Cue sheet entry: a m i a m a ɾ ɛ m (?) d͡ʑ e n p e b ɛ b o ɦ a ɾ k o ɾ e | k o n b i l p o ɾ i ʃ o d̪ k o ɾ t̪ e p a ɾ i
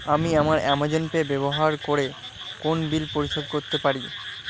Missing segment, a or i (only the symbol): a